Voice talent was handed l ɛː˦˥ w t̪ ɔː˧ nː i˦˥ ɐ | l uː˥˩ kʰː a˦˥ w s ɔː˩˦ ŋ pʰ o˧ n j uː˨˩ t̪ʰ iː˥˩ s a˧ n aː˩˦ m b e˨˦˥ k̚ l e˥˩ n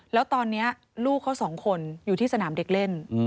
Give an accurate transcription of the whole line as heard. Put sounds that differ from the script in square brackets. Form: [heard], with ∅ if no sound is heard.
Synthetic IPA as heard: l ɛː˦˥ w t̪ ɔː˧ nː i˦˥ ɐ | l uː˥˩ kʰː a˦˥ w s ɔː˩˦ ŋ [kʰ] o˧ n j uː˨˩ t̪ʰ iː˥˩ s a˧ n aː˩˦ m [d] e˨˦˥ k̚ l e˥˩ n